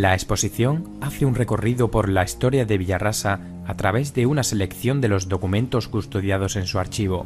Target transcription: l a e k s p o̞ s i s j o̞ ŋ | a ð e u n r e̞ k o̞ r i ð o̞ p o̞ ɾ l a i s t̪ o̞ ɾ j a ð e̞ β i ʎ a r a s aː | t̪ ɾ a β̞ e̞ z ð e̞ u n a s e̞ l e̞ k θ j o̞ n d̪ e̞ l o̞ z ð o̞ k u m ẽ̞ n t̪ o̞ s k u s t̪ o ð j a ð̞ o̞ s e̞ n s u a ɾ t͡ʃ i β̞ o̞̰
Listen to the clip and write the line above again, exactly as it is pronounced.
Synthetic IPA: l a e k s p o̞ s i θ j o̞ ŋ | a θ e u n r e̞ k o̞ r i ð o̞ p o̞ ɾ l a i s t̪ o̞ ɾ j a ð e̞ β i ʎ a r a s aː | t̪ ɾ a β̞ e̞ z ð e̞ u n a s e̞ l e̞ k θ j o̞ n d̪ e̞ l o̞ z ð o̞ k u m ẽ̞ n t̪ o̞ s k u s t̪ o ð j a ð̞ o̞ s e̞ n s u a ɾ t͡ʃ i β̞ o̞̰

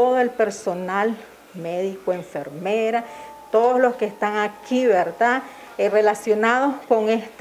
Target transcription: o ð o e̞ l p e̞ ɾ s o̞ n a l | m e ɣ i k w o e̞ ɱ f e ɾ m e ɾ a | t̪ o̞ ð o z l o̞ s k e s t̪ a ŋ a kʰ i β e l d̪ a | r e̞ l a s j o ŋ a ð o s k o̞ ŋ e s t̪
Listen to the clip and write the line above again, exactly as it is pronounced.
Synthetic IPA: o ð o e̞ l p e̞ ɾ s o̞ n a l | m e ð i k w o e̞ ɱ f e ɾ m e ɾ a | t̪ o̞ ð o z l o̞ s k e s t̪ a ŋ a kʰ i β e ɾ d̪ a | r e̞ l a s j o n a ð o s k o̞ ŋ e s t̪

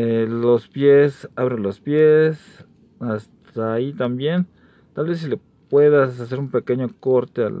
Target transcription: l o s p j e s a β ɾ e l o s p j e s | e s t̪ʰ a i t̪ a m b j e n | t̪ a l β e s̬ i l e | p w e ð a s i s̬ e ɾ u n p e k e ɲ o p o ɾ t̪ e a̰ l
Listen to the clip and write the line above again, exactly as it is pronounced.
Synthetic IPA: l o s p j e s a β ɾ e l o s p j e s | a s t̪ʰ a i t̪ a m b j e n | t̪ a l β e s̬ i l e | p w e ð a s a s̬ e ɾ u m p e k e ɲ o k o ɾ t̪ e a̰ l

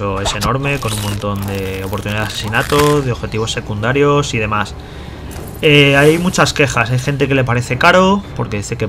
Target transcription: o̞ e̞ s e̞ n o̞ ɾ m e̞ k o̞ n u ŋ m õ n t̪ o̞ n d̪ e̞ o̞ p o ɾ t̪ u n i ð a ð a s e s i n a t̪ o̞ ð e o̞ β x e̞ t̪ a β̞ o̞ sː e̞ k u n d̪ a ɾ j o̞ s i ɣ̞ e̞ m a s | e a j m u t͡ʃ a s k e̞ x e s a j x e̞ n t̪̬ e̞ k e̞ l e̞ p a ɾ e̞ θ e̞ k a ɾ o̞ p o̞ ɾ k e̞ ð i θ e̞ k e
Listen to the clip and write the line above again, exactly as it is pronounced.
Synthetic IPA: o̞ e̞ s e̞ n o̞ ɾ m e̞ k o̞ n u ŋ m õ n t̪ o̞ n d̪ e̞ o̞ p o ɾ t̪ u n i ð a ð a s e s i n a t̪ o̞ ð e o̞ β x e̞ t̪ i β̞ o̞ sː e̞ k u n d̪ a ɾ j o̞ s i ð̞ e̞ m a s | e a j m u t͡ʃ a s k e̞ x a s a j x e̞ n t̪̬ e̞ k e̞ l e̞ p a ɾ e̞ θ e̞ k a ɾ o̞ p o̞ ɾ k e̞ ð i θ e̞ k e

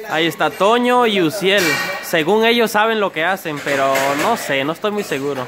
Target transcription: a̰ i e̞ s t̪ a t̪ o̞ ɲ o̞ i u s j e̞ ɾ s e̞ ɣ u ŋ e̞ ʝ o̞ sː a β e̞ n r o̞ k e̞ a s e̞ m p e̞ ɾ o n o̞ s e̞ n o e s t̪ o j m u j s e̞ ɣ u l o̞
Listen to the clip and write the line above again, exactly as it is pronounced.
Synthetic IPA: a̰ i e̞ s t̪ a t̪ o̞ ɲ o̞ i u s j e̞ l s e̞ ɣ u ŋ e̞ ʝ o̞ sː a β e̞ n l o̞ k e̞ a s e̞ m p e̞ ɾ o n o̞ s e̞ n o e s t̪ o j m u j s e̞ ɣ u ɾ o̞

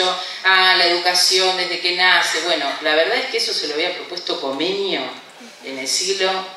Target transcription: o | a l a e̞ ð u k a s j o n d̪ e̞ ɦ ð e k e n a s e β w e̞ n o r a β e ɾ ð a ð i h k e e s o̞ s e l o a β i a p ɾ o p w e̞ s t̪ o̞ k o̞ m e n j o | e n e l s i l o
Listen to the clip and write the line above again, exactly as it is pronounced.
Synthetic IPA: o | a l a e̞ ð u k a s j o n d̪ e̞ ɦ ð e k e n a s e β w e̞ n o l a β e ɾ ð a ð e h k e e s o̞ s e l o a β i a p ɾ o p w e̞ s t̪ o̞ k o̞ m e n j o | e n e l s i l o

